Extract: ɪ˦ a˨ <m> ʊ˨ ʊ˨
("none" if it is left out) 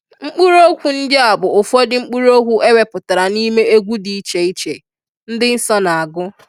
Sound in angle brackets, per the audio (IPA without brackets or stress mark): b